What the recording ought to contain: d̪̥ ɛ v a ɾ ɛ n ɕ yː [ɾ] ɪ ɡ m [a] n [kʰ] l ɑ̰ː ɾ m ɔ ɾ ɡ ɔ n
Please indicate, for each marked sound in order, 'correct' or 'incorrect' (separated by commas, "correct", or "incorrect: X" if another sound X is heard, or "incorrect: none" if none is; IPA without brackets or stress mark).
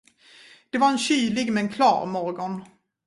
incorrect: l, incorrect: ɛ, correct